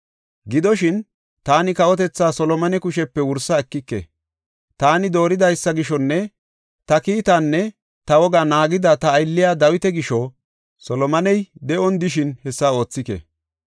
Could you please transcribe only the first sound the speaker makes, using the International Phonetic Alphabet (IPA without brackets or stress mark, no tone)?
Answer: ɡ